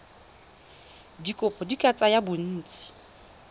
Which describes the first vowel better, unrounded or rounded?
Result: unrounded